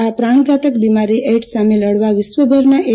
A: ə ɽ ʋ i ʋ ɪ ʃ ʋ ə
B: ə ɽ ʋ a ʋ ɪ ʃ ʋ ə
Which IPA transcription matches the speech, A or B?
B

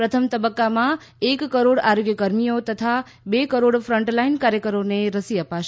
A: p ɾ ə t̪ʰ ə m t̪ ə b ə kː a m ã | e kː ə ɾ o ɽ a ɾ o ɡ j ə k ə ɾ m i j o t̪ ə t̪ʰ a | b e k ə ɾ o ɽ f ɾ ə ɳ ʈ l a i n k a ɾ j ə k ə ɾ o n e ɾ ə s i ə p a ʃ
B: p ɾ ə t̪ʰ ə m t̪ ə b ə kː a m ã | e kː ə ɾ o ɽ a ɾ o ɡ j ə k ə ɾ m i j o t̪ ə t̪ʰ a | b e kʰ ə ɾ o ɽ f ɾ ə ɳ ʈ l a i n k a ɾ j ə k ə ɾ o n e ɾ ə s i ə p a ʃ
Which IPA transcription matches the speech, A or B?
A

